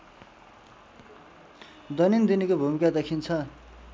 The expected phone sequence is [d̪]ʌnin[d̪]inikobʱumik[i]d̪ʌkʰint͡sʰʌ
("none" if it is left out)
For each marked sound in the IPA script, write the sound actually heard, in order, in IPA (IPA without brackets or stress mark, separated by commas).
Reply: d̪, d̪, a